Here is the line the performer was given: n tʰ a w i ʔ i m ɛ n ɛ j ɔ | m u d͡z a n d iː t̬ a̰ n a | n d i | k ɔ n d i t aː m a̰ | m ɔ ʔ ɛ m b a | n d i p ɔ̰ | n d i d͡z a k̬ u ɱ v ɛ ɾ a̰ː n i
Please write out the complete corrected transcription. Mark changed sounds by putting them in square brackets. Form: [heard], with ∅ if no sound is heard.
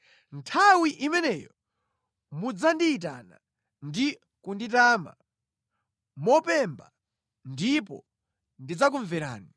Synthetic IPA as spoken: n tʰ a w i ʔ i m ɛ n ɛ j ɔ | m u d͡z a n d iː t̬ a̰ n a | n d i | k [u] n d i t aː m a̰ | m ɔ [p] ɛ m b a | n d i p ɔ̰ | n d i d͡z a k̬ u ɱ v ɛ ɾ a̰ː n i